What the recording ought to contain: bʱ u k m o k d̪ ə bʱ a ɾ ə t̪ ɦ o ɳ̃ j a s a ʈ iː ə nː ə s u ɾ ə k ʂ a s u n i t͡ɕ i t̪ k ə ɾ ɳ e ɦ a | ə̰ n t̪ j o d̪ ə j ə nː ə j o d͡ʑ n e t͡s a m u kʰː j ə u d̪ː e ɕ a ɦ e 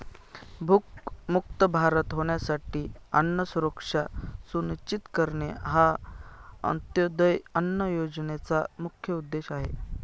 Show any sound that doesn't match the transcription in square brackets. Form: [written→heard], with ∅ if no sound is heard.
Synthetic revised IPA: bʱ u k m [o→u] k [d̪→t̪] ə bʱ a ɾ ə t̪ ɦ o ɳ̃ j a s a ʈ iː ə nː ə s u ɾ ə k ʂ a s u n i t͡ɕ i t̪ k ə ɾ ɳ e ɦ a | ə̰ n t̪ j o d̪ ə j ə nː ə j o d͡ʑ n e t͡s a m u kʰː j ə u d̪ː e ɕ a ɦ e